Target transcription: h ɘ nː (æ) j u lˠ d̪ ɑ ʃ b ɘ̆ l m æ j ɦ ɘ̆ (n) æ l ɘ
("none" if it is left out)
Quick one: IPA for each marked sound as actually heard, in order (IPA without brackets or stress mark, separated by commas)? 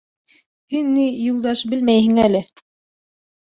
i, ŋ